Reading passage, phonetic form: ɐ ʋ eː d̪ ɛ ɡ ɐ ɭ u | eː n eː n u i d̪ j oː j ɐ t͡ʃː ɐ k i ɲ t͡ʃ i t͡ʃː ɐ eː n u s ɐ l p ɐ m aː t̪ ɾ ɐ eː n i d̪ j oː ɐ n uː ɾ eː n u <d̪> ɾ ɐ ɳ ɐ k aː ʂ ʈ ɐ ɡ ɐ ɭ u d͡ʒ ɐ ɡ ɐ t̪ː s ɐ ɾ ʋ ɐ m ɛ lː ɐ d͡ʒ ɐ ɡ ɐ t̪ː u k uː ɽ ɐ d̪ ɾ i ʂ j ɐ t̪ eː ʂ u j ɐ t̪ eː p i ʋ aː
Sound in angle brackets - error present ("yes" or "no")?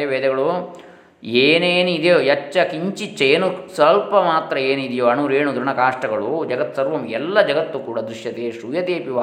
no